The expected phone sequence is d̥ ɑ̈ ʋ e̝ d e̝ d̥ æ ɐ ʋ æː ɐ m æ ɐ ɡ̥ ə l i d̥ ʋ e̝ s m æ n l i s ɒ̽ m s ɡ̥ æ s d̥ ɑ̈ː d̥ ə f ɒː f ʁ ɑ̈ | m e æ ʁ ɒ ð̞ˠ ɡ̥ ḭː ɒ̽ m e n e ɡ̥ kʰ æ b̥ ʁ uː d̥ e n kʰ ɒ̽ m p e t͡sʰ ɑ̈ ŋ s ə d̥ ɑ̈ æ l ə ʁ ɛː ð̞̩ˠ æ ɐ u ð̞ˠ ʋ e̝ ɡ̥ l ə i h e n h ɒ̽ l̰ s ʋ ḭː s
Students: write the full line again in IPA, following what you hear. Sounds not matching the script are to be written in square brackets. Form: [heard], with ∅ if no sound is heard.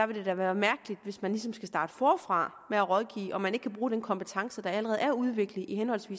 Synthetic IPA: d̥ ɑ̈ ʋ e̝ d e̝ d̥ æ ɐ ʋ æː ɐ m æ ɐ ɡ̥ ə l i d̥ ʋ e̝ s m æ n l i s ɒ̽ m s ɡ̥ æ s d̥ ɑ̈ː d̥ ə f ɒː f ʁ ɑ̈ | m e æ ʁ ɒ ð̞ˠ ɡ̥ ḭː ɒ̽ m [æ] n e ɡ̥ kʰ æ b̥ ʁ uː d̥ e n kʰ ɒ̽ m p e t͡sʰ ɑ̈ ŋ s ə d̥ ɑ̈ æ l ə ʁ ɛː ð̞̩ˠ æ ɐ u ð̞ˠ ʋ e̝ ɡ̥ l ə i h e n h ɒ̽ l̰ s ʋ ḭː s

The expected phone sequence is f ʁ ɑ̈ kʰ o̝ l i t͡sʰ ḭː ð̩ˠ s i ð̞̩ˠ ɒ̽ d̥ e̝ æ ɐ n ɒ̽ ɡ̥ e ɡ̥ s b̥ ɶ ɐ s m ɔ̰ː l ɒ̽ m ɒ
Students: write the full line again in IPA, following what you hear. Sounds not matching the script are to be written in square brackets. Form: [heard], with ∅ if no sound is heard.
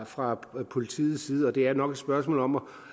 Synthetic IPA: f ʁ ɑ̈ [pʰ] o̝ l i t͡sʰ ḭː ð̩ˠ s [iː] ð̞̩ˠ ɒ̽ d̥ e̝ æ ɐ n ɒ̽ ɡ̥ e [d̥] s b̥ ɶ ɐ s m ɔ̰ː l ɒ̽ m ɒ

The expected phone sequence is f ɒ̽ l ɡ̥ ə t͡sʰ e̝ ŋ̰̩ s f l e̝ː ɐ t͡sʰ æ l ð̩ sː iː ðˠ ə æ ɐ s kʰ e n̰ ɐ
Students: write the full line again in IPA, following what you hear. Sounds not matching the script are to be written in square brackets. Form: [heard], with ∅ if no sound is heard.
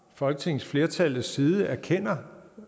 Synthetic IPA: f ɒ̽ l ɡ̥ ə t͡sʰ e̝ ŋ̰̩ s f l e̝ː ɐ t͡sʰ æ l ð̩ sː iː ðˠ ə æ ɐ [∅] kʰ e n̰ ɐ

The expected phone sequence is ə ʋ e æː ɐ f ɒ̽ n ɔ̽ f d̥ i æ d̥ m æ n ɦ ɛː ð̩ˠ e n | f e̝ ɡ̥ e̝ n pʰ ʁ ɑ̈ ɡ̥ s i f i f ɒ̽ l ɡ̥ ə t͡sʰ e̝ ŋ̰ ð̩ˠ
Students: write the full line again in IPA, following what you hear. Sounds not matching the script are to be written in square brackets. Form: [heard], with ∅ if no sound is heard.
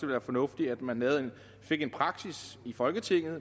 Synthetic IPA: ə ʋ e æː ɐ f ɒ̽ n ɔ̽ f d̥ i æ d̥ m æ n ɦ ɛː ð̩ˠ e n | f e̝ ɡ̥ e̝ n pʰ ʁ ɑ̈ ɡ̥ s i [s] i f ɒ̽ l ɡ̥ ə t͡sʰ e̝ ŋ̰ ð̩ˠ

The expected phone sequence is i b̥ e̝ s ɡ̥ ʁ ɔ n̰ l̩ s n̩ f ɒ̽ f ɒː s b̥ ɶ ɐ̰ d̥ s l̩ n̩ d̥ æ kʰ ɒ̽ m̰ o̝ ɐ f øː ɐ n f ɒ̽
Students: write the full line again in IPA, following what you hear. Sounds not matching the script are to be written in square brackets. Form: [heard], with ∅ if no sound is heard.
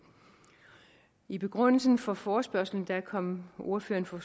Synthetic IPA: i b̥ e̝ [∅] ɡ̥ ʁ ɔ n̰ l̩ s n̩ f ɒ̽ f ɒː s b̥ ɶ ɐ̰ [∅] s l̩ n̩ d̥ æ kʰ ɒ̽ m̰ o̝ ɐ f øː ɐ n f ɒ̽

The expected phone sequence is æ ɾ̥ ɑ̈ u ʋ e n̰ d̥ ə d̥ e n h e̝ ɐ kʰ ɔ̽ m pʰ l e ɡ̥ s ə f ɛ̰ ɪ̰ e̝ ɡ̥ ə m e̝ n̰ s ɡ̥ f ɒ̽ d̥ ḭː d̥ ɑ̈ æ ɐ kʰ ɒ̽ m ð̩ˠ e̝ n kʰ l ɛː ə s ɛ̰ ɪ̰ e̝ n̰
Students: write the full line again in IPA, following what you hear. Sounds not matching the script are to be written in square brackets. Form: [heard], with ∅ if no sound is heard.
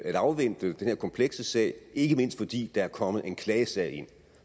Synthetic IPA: æ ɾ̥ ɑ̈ [ʊ] ʋ e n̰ d̥ ə d̥ e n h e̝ ɐ kʰ [ɒ̽] m pʰ l e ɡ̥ s ə [s] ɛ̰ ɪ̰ e̝ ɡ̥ ə m e̝ n̰ s [d̥] f ɒ̽ d̥ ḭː d̥ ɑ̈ æ ɐ kʰ ɒ̽ m ð̩ˠ e̝ n kʰ l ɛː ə s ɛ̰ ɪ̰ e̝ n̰

